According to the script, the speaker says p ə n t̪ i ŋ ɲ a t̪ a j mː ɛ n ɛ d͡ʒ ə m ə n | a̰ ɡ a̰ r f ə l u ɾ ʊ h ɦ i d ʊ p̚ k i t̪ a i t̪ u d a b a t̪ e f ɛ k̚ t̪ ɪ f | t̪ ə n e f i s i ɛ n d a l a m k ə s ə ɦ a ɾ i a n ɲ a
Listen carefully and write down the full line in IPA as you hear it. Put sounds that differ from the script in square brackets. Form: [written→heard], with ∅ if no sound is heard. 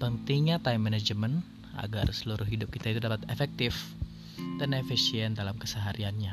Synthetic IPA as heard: p ə n t̪ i ŋ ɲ a t̪ a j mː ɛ n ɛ d͡ʒ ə m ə n | a̰ ɡ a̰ r [f→s] ə l u ɾ ʊ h ɦ i d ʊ p̚ k i t̪ a i t̪ u d a [b→p] a t̪ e f ɛ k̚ t̪ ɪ f | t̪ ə n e f i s i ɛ n d a l a m k ə s ə ɦ a ɾ i a n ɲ a